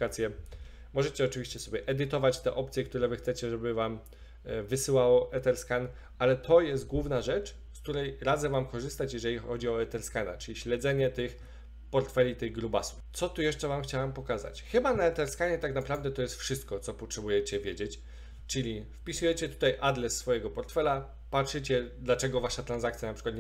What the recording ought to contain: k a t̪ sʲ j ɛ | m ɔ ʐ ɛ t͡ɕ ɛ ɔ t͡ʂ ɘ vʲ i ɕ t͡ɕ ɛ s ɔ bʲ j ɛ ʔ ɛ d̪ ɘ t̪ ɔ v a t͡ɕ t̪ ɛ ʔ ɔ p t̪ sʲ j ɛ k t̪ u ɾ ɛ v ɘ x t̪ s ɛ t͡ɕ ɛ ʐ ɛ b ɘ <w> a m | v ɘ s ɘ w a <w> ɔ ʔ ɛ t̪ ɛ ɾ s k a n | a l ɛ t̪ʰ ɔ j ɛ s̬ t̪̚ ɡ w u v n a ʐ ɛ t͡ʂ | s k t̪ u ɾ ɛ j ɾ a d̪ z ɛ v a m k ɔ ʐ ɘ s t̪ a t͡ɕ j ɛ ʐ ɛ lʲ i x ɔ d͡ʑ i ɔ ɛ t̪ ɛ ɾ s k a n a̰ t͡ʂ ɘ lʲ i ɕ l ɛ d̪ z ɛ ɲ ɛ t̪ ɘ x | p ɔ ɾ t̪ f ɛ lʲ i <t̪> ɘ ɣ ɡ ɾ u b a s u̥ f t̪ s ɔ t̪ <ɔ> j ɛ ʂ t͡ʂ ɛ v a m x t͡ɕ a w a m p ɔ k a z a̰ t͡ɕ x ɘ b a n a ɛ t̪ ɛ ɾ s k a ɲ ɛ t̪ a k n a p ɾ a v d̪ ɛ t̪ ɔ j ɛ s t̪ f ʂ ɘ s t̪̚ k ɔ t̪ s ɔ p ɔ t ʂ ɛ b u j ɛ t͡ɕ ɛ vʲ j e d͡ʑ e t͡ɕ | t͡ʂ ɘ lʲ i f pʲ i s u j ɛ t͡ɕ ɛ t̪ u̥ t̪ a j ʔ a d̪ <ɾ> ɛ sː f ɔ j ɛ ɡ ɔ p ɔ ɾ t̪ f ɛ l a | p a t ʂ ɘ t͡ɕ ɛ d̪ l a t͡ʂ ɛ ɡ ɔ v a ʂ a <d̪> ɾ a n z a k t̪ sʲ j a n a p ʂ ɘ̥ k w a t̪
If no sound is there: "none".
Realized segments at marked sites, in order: v, w, t̪, u, l, t̪

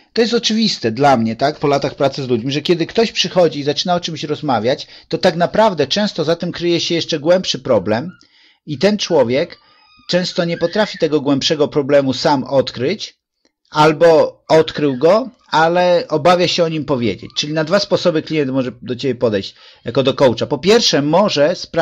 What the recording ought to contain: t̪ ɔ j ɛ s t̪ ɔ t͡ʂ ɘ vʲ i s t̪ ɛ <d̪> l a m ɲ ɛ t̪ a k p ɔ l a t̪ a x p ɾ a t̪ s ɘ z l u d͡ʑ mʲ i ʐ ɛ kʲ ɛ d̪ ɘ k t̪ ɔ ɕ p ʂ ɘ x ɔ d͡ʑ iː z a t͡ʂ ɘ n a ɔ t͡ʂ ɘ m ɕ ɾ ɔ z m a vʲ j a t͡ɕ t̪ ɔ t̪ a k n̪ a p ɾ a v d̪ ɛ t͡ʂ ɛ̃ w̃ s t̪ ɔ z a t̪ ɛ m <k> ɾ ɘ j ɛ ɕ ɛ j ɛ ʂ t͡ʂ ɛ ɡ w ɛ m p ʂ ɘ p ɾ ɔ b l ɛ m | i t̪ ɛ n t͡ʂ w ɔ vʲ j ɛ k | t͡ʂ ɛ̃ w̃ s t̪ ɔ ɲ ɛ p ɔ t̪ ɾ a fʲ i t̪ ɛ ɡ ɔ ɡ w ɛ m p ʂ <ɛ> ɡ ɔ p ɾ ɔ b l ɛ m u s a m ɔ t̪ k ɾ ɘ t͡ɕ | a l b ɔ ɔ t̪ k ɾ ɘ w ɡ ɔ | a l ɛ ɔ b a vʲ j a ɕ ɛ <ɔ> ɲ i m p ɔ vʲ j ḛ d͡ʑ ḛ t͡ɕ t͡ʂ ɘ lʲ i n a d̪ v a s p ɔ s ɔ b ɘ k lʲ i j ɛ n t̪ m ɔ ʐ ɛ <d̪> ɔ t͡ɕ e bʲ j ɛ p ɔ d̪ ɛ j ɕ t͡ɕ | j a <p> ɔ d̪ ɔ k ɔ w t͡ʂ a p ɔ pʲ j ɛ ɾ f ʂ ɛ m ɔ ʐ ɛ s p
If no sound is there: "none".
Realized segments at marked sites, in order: d̪, k, ɛ, ɔ, d̪, k

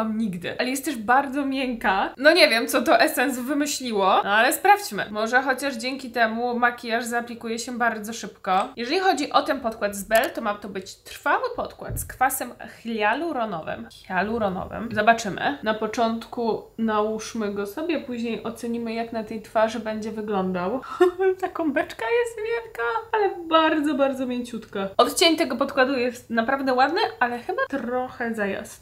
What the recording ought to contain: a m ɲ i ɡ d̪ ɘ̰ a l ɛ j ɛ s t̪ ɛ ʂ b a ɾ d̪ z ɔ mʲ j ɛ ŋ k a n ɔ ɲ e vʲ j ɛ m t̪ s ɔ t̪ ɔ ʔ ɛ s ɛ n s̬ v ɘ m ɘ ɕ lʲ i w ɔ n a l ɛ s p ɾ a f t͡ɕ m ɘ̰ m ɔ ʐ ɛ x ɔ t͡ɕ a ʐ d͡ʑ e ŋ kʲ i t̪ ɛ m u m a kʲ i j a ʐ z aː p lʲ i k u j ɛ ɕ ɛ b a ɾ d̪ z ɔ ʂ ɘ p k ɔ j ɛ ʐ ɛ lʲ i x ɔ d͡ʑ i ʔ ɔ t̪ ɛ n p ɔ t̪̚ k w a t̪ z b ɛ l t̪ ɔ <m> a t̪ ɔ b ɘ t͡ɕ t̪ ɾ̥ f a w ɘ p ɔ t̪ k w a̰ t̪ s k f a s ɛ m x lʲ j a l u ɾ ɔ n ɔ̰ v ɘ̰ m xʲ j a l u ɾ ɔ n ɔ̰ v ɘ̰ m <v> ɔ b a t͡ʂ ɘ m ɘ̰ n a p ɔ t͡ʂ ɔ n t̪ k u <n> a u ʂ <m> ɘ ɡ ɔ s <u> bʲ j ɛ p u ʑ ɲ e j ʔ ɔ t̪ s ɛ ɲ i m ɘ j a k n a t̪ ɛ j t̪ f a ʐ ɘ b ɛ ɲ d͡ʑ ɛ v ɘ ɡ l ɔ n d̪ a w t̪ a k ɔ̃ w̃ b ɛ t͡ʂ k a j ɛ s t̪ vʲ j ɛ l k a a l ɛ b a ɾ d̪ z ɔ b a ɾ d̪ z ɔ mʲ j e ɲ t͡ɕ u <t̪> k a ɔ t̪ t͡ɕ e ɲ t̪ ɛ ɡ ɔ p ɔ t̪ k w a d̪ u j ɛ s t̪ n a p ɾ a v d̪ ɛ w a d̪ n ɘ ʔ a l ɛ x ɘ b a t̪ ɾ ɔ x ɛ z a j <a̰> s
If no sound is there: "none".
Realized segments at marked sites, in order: m, z, n, m, ɔ, t̪, a̰

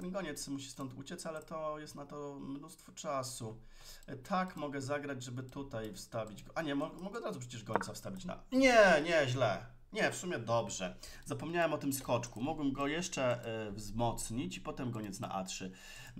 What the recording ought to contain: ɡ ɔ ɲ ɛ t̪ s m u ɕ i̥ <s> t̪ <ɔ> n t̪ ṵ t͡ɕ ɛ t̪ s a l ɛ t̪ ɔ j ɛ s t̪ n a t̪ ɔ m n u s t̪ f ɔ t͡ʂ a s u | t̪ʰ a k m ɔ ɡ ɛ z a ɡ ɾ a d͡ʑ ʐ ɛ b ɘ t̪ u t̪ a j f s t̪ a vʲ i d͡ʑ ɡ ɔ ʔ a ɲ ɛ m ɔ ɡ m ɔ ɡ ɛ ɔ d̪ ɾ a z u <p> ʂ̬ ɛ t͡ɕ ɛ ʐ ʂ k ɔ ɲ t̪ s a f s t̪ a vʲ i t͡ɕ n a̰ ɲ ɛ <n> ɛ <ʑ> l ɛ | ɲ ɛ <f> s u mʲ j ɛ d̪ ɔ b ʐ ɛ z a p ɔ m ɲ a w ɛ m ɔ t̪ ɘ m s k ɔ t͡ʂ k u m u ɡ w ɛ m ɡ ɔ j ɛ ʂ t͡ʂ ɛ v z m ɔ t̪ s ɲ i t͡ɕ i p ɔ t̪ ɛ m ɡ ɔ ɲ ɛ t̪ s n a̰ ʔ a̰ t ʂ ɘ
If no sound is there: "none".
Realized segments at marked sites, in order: s, ɔ, p, ɲ, ʑ, f

